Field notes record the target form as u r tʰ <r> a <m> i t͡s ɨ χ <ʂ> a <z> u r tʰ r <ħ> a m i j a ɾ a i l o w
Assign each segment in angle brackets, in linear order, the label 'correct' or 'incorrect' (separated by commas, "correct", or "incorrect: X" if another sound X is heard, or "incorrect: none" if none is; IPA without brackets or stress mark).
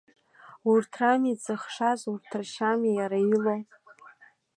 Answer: correct, correct, correct, correct, incorrect: ʃ